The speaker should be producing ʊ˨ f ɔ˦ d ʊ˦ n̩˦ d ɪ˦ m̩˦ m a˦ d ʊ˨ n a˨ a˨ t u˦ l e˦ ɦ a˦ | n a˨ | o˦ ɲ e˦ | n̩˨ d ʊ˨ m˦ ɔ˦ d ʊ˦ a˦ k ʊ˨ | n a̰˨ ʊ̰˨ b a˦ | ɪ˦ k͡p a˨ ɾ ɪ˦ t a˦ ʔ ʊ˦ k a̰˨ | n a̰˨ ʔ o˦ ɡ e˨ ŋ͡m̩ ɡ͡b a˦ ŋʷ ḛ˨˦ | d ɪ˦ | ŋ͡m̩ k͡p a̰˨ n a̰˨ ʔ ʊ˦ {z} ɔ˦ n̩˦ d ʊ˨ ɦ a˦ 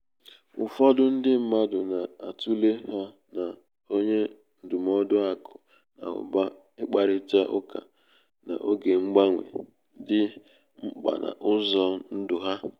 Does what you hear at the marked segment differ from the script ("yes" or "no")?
no